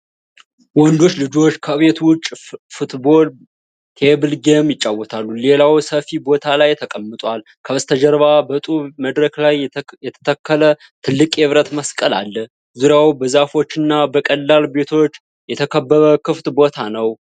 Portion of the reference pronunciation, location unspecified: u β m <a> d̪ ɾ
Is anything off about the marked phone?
yes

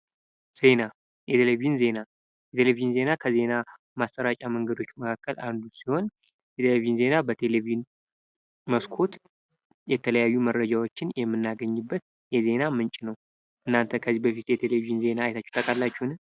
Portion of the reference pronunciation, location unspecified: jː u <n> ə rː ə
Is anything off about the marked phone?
yes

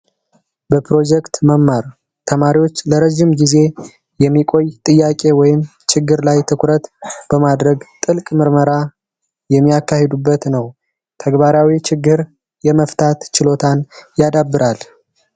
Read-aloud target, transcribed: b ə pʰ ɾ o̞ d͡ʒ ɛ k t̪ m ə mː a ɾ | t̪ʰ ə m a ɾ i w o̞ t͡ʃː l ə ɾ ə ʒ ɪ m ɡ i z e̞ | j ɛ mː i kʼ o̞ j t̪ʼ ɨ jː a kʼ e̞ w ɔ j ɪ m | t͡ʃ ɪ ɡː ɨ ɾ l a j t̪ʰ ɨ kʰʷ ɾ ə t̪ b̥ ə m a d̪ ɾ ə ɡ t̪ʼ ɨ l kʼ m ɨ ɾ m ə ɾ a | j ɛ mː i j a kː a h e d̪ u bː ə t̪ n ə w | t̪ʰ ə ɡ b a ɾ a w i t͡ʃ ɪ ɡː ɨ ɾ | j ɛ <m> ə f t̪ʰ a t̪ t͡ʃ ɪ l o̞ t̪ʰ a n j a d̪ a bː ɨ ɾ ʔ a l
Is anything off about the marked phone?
no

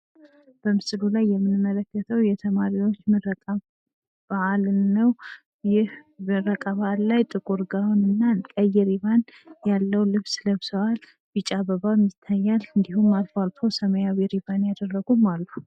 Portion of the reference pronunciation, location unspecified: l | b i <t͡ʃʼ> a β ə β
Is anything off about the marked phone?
no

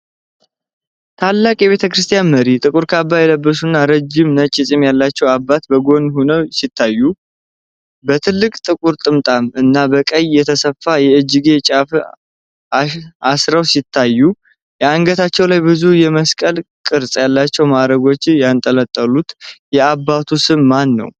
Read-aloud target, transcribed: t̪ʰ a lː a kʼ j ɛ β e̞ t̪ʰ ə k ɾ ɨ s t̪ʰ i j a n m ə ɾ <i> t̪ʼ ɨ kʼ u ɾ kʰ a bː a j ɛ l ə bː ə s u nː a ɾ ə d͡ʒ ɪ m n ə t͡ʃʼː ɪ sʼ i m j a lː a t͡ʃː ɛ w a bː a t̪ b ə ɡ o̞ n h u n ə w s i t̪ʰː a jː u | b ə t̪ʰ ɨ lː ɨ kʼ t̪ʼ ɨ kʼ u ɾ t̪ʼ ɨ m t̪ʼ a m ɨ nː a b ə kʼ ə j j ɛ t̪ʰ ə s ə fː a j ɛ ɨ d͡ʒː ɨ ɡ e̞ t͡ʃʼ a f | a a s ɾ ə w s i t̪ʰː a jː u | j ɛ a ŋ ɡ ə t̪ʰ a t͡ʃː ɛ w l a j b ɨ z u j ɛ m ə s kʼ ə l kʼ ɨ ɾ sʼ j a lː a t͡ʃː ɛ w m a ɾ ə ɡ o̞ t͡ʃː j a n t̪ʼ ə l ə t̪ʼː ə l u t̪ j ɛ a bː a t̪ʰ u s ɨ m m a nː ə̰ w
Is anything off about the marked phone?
no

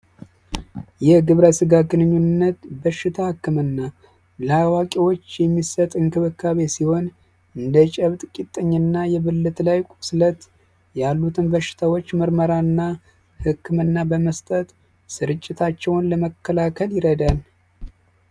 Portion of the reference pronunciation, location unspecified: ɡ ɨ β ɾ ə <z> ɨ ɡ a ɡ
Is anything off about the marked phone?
yes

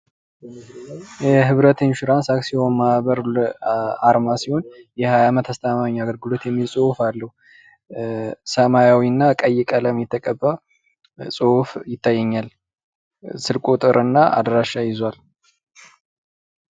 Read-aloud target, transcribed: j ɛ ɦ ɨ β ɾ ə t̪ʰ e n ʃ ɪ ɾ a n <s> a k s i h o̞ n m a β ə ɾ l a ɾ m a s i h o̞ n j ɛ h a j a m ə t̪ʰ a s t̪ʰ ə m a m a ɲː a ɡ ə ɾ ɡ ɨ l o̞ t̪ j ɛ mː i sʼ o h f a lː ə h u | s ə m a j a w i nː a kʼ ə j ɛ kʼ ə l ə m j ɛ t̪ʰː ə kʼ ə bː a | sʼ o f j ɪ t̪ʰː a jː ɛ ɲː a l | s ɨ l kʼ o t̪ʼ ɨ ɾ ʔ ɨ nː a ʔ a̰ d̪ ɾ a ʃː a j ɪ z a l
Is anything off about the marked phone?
no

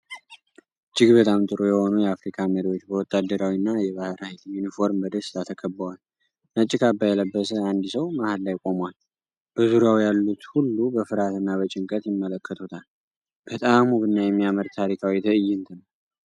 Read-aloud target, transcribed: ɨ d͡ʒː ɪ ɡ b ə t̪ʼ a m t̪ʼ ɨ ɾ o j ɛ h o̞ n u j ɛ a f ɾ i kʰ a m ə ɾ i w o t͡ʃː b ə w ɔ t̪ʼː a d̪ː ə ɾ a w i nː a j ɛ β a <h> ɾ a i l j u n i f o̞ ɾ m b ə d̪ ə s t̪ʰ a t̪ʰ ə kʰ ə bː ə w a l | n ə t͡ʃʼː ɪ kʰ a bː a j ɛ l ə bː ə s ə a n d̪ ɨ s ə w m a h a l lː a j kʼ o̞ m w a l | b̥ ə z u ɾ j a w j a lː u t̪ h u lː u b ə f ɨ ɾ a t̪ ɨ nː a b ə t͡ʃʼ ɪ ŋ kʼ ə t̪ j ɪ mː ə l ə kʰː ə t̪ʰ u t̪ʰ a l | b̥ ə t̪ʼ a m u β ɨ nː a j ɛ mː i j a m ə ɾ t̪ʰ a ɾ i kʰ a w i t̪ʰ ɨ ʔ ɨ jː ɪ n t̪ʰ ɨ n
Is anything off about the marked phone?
no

